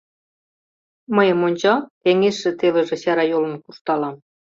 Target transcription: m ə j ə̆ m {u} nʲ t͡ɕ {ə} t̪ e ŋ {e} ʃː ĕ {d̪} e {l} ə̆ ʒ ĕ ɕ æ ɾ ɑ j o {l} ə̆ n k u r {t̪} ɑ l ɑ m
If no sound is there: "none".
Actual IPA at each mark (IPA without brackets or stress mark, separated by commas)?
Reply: o, ɑ, e, t̪, l, l, t̪